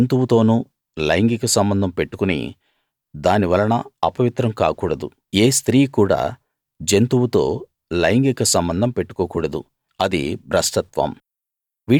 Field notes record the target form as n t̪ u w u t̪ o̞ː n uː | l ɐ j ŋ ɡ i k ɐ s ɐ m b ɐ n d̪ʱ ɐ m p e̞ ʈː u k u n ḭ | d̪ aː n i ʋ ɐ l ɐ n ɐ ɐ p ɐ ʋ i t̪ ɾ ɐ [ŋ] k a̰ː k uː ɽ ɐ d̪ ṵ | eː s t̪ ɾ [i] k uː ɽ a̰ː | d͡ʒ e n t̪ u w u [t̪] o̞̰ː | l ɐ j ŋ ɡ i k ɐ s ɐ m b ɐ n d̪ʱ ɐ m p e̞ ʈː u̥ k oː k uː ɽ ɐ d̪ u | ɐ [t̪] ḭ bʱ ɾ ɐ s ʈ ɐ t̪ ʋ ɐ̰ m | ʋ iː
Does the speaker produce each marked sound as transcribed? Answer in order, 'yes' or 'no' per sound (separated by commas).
no, no, yes, no